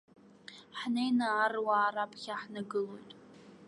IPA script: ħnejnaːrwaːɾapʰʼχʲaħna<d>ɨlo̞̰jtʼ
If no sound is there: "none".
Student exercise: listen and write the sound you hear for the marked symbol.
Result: ɡ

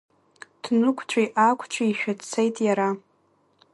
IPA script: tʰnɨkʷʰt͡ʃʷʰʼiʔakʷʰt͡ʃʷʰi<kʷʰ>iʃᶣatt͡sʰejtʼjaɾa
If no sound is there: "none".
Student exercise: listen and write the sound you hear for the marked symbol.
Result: none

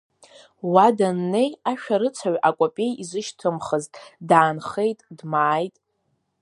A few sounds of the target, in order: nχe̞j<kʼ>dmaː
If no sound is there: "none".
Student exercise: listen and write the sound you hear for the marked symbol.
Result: tʼ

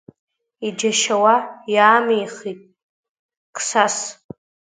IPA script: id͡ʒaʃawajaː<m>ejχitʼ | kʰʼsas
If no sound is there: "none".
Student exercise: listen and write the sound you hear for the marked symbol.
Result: m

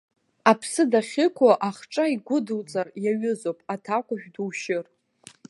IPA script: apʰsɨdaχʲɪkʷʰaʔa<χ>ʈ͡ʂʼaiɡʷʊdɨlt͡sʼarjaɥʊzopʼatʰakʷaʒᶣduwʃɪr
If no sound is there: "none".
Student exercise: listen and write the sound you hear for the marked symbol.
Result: χ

